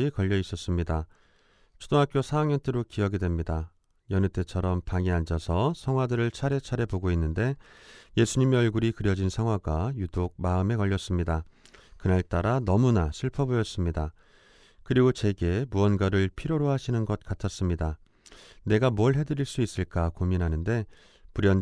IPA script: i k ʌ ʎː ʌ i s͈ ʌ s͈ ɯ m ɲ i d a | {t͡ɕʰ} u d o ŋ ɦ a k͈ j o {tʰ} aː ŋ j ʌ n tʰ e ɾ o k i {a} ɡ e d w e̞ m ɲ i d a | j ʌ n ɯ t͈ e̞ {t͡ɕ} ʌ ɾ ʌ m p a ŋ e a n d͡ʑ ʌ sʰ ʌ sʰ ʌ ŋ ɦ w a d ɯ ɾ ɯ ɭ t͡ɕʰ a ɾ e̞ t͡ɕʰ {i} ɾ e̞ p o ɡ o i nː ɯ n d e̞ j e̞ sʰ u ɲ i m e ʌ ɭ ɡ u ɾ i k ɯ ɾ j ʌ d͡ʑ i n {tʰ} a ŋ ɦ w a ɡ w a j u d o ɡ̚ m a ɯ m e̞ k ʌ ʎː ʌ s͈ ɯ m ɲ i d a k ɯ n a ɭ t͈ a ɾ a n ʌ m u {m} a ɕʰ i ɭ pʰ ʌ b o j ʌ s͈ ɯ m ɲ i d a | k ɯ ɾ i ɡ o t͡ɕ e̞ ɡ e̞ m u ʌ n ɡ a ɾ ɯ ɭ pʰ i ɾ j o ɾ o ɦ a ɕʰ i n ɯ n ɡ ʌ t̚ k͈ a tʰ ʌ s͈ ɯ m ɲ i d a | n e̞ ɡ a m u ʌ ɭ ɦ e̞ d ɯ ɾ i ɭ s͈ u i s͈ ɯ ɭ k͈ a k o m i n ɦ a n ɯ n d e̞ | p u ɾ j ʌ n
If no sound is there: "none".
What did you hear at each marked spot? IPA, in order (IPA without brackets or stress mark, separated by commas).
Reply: t͡ɕʰ, sʰ, ʌ, t͡ɕʰ, a, sʰ, n